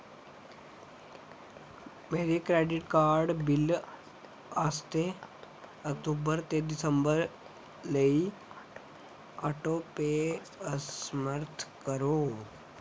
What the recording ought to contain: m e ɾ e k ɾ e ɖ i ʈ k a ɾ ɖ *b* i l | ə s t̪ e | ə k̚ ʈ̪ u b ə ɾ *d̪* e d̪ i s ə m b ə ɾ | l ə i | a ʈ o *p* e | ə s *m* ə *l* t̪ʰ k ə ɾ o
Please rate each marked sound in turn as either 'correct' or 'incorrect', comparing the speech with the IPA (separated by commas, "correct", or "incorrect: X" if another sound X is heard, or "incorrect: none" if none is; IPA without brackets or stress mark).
correct, incorrect: t̪, correct, correct, incorrect: ɾ